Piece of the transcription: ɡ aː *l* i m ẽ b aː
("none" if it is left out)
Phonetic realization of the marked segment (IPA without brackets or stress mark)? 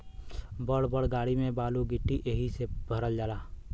ɽ